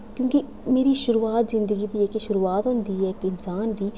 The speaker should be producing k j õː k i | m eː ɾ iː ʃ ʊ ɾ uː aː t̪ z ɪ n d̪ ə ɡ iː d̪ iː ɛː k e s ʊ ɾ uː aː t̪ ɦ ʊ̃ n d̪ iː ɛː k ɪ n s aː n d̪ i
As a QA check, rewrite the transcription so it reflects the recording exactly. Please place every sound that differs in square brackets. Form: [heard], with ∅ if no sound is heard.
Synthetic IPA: k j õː k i | m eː ɾ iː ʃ ʊ ɾ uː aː t̪ z ɪ n d̪ ə ɡ iː d̪ iː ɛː k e [ʃ] ʊ ɾ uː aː t̪ ɦ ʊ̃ n d̪ iː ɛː k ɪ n s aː n d̪ [iː]